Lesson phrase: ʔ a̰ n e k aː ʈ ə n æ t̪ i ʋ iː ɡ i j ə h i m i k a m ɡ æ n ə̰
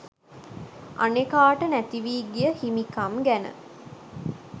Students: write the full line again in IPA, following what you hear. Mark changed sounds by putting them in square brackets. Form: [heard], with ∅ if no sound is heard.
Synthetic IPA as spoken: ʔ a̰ n e k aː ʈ ə n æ t̪ i ʋ iː ɡ i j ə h i m i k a m ɡ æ n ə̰